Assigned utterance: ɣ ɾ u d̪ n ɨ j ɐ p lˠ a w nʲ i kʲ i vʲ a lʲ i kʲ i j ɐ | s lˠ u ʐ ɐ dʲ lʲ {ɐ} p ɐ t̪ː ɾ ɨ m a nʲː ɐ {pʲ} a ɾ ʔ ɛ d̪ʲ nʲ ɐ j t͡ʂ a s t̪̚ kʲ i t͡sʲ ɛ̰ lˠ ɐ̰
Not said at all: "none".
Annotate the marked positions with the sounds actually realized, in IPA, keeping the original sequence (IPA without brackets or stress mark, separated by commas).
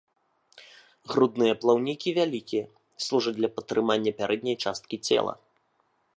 ɐ, pʲ